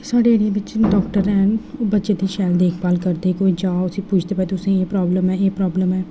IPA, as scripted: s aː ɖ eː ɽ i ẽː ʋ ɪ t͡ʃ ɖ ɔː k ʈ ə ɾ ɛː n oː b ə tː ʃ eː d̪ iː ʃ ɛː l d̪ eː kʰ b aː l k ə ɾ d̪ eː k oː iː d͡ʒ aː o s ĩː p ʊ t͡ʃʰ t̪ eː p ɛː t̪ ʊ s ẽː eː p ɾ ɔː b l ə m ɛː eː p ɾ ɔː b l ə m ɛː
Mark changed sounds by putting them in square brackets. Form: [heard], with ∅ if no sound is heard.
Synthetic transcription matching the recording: s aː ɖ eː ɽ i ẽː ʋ ɪ t͡ʃ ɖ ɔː k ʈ ə ɾ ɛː n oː b ə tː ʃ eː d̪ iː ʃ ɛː l d̪ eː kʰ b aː l k ə ɾ d̪ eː k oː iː d͡ʒ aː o s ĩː p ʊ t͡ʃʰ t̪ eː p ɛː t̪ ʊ s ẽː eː p ɾ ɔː b l ə m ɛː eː p ɾ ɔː b l ə m ɛː